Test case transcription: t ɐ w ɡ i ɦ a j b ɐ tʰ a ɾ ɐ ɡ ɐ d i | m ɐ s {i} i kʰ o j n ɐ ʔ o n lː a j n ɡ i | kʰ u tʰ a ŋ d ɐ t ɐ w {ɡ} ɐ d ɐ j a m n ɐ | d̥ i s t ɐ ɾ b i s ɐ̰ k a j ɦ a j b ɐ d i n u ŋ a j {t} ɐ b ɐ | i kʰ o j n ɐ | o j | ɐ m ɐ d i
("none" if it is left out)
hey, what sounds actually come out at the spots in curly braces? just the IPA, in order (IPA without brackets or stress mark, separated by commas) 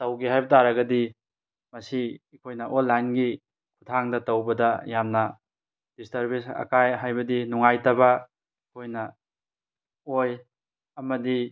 i, b, t